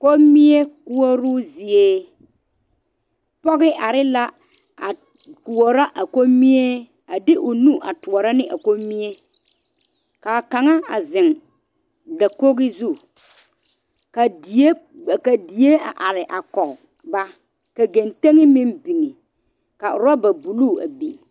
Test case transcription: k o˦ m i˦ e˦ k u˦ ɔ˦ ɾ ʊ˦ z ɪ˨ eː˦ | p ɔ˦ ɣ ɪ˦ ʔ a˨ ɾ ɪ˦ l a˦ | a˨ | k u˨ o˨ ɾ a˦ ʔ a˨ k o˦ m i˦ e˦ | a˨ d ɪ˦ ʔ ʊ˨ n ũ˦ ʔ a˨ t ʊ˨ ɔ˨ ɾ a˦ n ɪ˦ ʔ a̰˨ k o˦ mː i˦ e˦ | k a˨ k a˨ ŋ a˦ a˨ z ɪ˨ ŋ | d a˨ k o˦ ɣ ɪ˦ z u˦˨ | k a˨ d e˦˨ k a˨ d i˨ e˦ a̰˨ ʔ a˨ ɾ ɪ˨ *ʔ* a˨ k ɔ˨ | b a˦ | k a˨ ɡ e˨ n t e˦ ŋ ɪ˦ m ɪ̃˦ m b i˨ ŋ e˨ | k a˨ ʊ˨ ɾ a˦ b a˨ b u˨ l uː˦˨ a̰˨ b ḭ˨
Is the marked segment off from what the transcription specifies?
no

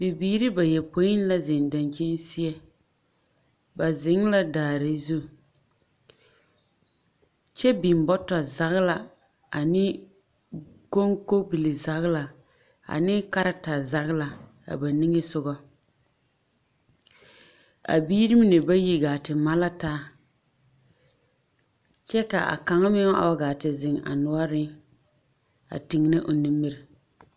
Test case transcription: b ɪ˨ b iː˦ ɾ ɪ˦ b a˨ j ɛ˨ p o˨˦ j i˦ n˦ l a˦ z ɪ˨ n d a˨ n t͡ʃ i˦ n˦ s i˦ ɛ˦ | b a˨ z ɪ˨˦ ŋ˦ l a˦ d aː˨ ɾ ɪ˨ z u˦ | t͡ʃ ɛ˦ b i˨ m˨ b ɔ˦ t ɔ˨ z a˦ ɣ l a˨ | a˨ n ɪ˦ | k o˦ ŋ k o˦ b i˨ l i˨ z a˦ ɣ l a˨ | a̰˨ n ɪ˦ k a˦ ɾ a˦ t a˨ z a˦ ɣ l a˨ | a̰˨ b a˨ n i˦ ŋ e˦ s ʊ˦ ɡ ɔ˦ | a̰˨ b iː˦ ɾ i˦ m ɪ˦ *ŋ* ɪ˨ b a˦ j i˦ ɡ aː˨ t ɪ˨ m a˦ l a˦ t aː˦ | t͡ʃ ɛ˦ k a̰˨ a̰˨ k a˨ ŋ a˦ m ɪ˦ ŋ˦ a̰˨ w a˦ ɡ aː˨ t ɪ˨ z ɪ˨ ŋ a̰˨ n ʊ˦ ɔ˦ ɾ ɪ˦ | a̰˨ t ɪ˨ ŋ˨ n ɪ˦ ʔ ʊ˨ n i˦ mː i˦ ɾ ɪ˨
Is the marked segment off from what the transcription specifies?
yes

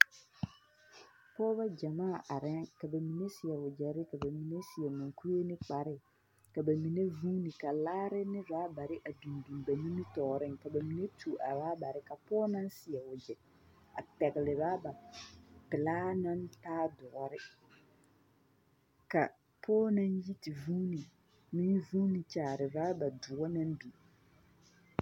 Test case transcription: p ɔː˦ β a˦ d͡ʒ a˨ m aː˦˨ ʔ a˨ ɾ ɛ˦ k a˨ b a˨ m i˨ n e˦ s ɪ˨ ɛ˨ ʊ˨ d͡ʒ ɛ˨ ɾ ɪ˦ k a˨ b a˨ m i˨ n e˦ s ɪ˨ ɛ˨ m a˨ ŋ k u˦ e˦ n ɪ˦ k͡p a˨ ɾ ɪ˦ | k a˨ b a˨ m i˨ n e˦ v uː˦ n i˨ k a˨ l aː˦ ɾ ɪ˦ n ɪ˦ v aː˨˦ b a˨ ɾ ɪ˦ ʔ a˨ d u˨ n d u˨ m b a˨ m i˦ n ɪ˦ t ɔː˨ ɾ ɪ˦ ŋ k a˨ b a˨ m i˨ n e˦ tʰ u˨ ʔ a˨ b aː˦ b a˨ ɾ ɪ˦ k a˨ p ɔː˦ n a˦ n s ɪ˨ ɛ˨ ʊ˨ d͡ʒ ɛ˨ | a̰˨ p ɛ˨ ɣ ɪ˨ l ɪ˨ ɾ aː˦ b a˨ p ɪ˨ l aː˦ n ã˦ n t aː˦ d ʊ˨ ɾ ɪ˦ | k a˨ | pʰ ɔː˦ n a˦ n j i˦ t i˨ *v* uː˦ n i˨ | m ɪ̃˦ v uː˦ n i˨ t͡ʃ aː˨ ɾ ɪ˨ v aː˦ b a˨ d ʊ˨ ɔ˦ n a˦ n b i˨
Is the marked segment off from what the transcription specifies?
no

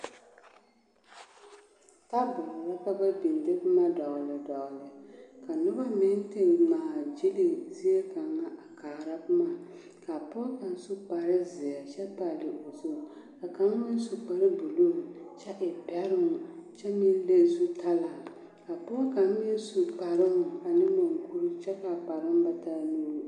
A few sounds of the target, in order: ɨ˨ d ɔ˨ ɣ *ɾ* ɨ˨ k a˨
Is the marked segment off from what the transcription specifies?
yes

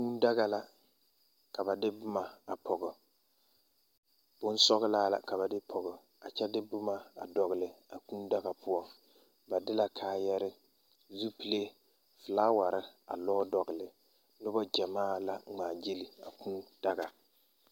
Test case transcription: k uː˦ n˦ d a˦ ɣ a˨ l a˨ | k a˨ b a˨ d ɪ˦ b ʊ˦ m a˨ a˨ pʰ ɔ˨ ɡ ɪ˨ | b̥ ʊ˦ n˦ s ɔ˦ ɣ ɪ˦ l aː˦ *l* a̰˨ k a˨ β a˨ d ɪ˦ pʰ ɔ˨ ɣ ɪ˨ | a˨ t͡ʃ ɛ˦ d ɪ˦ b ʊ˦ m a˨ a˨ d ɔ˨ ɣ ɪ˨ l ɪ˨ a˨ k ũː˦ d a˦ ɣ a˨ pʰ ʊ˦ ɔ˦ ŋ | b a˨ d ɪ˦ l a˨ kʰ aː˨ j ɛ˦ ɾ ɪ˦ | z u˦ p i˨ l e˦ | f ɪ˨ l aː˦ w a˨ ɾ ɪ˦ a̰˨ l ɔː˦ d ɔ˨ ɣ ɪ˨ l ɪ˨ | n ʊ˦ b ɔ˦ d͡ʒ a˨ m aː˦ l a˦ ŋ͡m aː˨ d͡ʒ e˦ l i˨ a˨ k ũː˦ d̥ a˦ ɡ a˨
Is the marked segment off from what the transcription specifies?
no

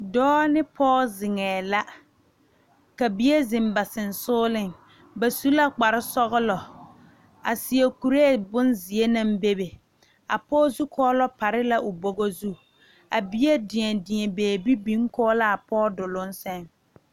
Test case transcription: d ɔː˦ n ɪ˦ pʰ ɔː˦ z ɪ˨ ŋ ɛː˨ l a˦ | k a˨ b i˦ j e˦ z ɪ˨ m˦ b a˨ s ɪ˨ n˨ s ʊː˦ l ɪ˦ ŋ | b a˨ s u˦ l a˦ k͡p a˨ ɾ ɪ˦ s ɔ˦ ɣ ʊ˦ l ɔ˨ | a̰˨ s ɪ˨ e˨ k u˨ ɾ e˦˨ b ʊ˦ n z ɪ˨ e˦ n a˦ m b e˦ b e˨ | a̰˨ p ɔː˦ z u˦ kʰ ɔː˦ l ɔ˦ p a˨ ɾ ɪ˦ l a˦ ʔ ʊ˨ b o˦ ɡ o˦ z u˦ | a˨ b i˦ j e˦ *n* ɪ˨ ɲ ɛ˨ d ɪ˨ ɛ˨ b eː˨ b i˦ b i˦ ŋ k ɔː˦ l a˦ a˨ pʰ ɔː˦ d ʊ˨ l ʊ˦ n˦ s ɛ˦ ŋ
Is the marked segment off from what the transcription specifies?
yes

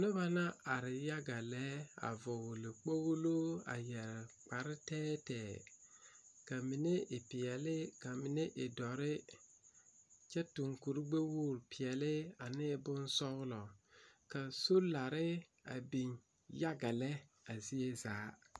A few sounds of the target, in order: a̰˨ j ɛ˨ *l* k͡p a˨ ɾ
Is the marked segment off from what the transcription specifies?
yes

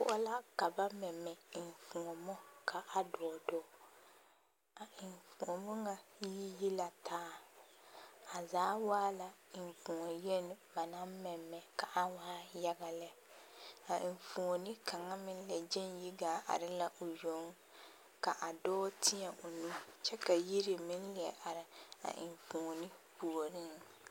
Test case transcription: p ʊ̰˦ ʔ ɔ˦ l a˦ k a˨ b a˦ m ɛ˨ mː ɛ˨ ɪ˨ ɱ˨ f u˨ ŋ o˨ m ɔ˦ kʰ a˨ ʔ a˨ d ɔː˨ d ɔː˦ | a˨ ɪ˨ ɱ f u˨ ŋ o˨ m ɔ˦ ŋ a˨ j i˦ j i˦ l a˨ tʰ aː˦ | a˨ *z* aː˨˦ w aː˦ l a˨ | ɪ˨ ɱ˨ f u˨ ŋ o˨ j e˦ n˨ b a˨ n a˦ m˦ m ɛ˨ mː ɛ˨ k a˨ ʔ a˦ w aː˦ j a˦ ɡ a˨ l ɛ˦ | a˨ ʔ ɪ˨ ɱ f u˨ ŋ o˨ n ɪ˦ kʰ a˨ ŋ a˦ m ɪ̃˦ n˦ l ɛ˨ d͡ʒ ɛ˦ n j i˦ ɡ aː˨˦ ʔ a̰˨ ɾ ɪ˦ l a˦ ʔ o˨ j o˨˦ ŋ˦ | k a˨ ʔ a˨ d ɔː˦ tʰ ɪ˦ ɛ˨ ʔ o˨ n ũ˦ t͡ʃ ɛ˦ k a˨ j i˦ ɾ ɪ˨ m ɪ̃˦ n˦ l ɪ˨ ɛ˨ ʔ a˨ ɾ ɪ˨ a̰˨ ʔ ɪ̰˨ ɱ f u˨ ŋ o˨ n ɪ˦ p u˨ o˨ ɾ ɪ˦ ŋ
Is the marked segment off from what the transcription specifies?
no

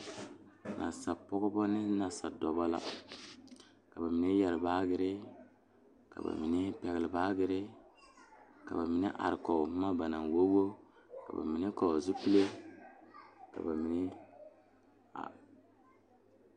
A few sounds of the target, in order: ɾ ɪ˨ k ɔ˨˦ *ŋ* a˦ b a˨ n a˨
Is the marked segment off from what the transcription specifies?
yes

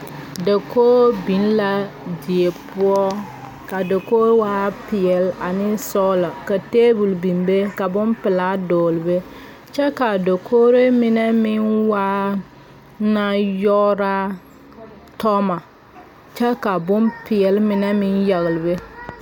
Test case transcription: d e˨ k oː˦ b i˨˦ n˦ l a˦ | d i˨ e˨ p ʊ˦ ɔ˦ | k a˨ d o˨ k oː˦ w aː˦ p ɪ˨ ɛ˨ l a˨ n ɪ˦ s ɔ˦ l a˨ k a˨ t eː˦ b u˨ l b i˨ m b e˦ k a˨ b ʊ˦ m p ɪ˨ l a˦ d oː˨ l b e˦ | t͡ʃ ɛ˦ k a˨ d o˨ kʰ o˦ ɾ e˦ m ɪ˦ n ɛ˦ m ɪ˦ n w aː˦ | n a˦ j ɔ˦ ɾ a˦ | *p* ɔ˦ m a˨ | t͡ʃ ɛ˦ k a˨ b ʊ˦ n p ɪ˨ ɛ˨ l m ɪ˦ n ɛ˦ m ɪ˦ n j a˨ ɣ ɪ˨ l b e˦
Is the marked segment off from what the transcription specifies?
yes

